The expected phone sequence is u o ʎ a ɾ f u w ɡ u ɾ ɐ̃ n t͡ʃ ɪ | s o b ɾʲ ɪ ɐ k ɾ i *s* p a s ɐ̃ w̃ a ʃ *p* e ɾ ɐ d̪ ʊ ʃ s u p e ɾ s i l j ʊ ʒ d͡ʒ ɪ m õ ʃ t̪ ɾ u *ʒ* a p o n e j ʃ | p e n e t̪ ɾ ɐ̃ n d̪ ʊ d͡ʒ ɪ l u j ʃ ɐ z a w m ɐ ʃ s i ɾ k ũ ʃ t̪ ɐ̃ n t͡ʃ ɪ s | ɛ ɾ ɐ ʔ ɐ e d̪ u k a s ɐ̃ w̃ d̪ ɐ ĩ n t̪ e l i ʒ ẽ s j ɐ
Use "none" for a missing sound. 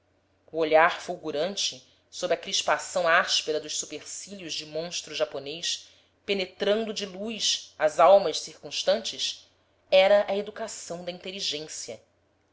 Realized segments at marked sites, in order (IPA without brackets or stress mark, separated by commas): ʃ, p, ʒ